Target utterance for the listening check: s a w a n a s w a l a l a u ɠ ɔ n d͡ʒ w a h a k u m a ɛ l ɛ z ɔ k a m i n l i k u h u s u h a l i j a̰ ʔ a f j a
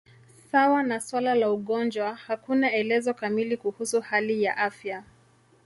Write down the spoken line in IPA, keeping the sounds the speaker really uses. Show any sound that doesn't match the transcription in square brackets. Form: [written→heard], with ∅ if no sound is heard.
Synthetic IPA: s a w a n a s w a l a l a u ɠ ɔ n d͡ʒ w a h a k u [m→n] a ɛ l ɛ z ɔ k a m i [n→∅] l i k u h u s u h a l i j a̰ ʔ a f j a